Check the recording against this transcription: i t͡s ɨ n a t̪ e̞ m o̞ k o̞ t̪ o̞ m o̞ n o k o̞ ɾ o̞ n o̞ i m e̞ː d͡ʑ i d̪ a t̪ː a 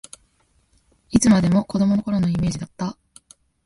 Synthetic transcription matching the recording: i t͡s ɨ m a d̪ e̞ m o̞ k o̞ d̪ o̞ m o̞ n o k o̞ ɾ o̞ n o̞ i m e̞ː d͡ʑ i d̪ a t̪ː a